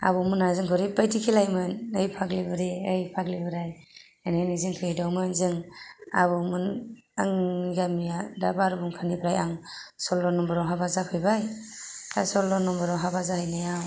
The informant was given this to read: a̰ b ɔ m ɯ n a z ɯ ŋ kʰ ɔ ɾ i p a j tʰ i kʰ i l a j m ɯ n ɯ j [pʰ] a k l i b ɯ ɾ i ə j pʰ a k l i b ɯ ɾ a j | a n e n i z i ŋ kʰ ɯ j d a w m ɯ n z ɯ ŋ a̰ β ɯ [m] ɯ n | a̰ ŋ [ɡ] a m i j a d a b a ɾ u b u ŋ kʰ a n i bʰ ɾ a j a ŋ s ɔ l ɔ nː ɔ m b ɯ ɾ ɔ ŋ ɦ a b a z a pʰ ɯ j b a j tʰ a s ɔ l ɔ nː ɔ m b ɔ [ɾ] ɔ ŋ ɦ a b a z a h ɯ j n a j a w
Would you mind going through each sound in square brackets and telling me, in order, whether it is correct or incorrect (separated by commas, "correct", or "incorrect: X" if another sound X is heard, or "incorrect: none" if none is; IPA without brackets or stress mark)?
correct, correct, correct, correct